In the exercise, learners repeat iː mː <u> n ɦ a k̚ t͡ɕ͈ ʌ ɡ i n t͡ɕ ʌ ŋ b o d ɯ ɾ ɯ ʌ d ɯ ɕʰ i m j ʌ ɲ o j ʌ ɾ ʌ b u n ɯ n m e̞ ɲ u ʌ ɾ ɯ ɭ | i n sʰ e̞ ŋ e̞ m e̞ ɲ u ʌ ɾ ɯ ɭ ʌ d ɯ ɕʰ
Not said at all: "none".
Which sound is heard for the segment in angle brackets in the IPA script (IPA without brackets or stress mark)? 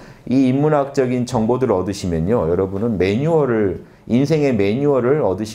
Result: u